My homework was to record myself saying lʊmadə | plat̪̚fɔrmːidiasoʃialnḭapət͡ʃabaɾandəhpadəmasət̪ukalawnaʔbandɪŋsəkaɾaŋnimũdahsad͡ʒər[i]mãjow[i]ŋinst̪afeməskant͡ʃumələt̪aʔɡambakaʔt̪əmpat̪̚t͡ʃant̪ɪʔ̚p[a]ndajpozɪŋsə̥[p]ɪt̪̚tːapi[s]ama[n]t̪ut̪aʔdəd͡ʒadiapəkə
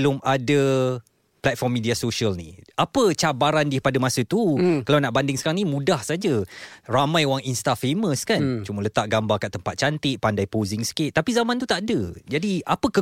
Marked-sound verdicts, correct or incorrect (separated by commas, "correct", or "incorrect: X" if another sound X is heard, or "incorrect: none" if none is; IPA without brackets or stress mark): incorrect: a, incorrect: a, correct, incorrect: k, incorrect: z, correct